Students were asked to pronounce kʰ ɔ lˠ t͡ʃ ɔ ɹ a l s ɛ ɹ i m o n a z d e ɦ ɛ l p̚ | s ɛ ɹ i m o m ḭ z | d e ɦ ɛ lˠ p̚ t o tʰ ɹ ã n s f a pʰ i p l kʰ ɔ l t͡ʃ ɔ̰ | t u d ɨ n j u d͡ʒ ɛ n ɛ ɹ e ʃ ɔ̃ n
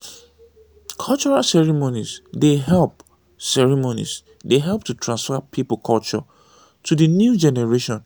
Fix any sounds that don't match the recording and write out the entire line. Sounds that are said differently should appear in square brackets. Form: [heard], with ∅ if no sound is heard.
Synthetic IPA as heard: kʰ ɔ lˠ t͡ʃ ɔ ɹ a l s ɛ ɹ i m o n [i] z d e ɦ ɛ l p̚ | s ɛ ɹ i m o [n] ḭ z | d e ɦ ɛ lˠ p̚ t [u] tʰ ɹ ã n s f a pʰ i p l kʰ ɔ l t͡ʃ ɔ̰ | t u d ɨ n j u d͡ʒ ɛ n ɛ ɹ e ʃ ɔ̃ n